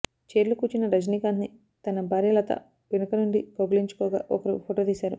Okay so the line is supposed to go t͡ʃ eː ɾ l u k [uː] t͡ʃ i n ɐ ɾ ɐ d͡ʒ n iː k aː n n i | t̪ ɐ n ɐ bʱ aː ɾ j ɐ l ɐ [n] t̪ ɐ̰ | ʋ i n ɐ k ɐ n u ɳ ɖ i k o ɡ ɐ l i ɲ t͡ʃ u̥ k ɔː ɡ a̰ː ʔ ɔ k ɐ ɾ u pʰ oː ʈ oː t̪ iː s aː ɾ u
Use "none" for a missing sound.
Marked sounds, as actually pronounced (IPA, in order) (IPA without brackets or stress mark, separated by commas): uː, none